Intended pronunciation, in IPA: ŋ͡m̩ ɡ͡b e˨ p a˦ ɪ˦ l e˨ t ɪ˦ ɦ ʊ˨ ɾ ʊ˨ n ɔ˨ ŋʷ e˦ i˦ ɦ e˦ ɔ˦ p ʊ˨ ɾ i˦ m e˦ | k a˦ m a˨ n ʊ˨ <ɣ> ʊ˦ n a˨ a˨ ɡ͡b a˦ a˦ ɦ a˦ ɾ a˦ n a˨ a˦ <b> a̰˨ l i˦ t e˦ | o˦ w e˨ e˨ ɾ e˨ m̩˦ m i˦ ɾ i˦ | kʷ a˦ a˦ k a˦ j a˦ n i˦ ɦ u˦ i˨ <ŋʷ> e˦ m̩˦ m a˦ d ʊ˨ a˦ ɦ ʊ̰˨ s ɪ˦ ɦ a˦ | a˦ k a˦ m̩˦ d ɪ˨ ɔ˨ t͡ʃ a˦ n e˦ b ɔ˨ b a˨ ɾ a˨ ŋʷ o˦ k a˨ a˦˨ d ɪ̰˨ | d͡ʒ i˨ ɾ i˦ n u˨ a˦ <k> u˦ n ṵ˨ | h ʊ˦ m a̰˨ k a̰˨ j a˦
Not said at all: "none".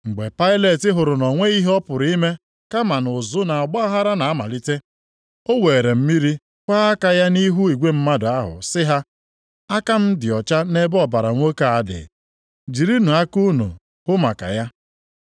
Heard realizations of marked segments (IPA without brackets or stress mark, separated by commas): z, m, ɡʷ, k